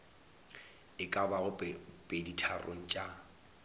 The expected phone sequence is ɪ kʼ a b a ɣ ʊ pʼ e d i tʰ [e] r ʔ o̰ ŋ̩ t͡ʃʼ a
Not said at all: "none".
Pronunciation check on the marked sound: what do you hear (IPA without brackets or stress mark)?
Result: a